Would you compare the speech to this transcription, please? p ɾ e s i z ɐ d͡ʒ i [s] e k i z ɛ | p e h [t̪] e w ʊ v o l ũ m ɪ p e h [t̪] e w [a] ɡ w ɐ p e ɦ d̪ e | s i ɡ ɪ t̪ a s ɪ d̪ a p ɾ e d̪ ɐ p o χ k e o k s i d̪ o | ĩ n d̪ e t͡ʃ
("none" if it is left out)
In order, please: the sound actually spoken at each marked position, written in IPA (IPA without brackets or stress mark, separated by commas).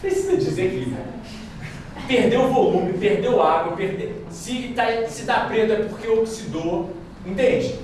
z, d̪, d̪, a